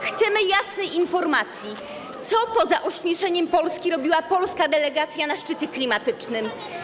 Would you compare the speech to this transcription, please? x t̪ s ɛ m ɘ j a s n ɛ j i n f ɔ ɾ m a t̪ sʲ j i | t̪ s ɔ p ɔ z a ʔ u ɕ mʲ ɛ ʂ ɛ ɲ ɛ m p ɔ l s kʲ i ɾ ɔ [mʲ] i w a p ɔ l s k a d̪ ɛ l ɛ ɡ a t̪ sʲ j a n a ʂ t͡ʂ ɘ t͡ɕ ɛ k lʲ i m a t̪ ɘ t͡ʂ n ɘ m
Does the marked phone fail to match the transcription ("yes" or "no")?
yes